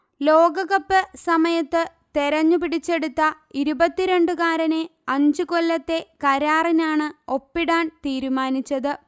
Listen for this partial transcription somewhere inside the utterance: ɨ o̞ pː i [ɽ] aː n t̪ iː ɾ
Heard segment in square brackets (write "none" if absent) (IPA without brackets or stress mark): ɽ